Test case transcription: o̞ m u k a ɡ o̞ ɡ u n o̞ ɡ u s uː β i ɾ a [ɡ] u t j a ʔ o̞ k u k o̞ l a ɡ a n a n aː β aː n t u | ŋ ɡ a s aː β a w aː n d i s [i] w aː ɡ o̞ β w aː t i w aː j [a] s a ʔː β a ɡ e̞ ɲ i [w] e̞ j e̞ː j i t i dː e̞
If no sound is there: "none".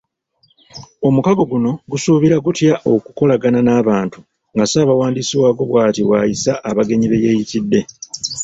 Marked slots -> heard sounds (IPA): ɡ, i, i, β

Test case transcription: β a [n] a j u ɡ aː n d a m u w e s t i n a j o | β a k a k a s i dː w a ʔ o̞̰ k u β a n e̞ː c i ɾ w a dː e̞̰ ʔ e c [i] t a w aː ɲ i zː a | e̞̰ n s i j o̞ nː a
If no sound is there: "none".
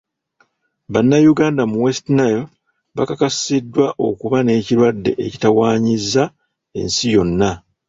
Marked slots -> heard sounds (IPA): nː, i

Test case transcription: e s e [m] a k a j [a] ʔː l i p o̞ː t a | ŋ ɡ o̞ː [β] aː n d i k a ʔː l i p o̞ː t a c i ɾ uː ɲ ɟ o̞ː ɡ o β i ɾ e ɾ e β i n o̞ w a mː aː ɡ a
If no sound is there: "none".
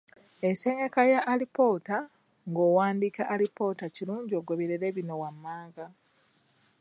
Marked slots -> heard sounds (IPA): ɲ, a, w

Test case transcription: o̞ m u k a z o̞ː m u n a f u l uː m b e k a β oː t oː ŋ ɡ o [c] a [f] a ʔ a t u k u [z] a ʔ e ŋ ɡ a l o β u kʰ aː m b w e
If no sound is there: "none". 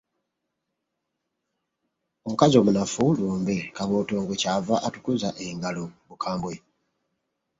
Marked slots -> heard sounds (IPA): c, v, z

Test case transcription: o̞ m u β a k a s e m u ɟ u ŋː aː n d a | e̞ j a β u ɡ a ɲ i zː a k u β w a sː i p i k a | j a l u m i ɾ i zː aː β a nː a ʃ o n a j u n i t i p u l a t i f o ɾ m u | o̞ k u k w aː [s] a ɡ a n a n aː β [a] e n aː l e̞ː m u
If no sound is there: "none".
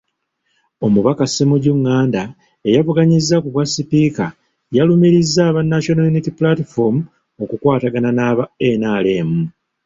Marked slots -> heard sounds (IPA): t, a

